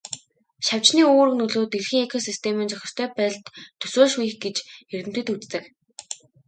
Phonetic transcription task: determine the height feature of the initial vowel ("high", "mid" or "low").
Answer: low